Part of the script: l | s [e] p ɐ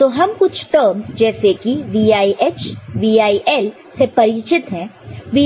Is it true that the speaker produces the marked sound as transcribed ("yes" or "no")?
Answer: yes